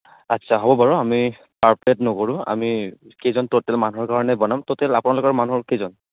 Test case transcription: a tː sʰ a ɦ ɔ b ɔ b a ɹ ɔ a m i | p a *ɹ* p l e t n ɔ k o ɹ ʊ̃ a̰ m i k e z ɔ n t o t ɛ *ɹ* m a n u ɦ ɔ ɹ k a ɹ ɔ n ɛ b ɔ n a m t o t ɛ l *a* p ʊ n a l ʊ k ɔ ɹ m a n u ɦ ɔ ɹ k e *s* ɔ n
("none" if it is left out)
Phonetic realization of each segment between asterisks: ɹ, l, a, z

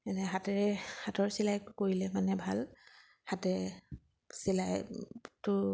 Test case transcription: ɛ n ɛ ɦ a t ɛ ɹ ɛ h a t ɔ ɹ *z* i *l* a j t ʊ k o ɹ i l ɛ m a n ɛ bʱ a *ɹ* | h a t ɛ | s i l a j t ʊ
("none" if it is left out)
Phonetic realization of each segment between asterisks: s, l, l

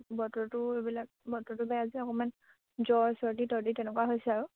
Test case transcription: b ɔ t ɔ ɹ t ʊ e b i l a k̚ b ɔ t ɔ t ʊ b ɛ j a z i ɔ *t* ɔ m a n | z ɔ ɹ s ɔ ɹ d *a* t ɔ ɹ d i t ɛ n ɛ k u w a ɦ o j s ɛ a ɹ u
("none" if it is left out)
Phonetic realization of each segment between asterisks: k, i

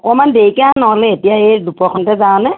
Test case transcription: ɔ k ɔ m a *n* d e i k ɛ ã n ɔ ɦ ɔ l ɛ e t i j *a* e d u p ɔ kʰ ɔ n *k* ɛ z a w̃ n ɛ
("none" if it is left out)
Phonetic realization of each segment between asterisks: n, a, t

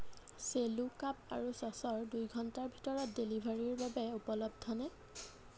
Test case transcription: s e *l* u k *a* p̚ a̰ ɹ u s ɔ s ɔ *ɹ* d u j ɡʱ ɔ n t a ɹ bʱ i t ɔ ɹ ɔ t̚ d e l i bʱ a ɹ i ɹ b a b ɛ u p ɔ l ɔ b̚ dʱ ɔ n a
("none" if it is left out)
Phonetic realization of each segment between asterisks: l, a, ɹ

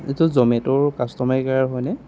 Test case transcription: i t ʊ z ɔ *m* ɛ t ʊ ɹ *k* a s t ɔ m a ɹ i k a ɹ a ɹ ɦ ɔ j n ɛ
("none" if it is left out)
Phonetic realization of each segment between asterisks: m, k

